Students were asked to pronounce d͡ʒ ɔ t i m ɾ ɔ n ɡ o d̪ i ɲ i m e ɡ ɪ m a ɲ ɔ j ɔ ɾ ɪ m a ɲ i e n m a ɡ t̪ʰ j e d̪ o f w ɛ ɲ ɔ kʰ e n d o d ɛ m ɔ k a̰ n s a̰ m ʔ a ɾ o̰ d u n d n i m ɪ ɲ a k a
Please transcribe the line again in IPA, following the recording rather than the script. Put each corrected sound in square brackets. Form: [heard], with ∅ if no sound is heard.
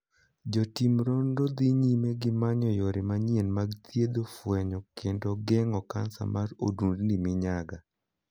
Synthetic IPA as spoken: d͡ʒ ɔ t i m ɾ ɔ n [d] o d̪ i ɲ i m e ɡ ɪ m a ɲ ɔ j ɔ ɾ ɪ m a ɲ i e n m a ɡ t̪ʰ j e d̪ o f w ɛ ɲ ɔ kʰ e n d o [ɡ] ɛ [ŋ] ɔ k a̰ n s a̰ m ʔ a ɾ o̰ d u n d n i m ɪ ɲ a [ɡ] a